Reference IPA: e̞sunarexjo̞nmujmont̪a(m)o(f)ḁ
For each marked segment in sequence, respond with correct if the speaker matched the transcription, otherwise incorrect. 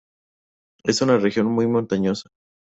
incorrect, incorrect

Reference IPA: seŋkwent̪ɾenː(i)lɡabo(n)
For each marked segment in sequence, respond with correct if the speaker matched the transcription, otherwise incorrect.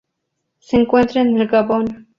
incorrect, correct

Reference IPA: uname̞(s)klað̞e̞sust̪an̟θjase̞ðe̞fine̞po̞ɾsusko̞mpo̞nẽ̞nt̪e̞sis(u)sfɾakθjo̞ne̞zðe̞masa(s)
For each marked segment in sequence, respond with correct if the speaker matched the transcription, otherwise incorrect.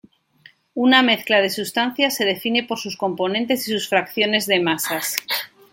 incorrect, correct, correct

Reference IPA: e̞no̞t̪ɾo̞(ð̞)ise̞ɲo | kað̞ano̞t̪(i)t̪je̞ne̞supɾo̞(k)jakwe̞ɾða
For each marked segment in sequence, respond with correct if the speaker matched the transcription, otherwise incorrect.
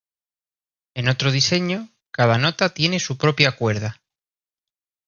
correct, incorrect, incorrect

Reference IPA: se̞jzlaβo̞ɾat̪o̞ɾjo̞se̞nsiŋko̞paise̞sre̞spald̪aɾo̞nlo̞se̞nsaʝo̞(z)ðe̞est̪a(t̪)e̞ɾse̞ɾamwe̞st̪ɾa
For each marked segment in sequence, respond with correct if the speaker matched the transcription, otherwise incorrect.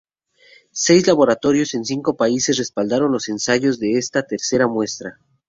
correct, correct

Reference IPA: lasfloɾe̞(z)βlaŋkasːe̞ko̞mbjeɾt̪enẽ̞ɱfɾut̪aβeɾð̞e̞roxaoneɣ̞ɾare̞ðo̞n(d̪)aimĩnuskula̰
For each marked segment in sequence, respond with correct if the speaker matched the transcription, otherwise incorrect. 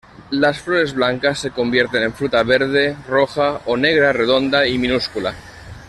correct, correct

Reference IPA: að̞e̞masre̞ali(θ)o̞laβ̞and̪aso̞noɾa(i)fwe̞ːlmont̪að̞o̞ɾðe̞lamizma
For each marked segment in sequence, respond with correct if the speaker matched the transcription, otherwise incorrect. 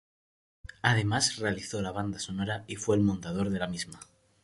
correct, correct

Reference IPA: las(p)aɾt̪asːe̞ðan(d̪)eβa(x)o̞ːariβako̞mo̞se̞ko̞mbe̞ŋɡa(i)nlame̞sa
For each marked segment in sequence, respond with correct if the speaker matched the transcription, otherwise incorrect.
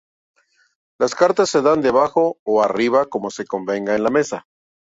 incorrect, correct, correct, incorrect

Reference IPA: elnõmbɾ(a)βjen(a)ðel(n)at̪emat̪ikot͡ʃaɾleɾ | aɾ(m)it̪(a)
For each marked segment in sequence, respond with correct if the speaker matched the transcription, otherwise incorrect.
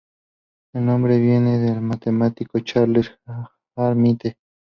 incorrect, incorrect, incorrect, correct, incorrect

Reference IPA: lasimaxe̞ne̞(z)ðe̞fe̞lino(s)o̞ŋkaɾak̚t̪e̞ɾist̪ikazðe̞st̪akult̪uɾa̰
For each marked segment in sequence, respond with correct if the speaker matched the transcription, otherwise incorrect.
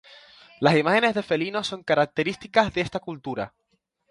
correct, correct

